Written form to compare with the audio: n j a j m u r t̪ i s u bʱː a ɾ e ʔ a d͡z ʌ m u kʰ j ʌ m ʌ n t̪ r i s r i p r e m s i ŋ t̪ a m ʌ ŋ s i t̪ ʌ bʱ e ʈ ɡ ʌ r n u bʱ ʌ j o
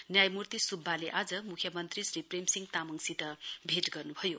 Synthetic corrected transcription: n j a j m u r t̪ i s u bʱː a l e ʔ a d͡z ʌ m u kʰ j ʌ m ʌ n t̪ r i s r i p r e m s i ŋ t̪ a m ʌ ŋ s i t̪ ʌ bʱ e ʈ ɡ ʌ r n u bʱ ʌ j o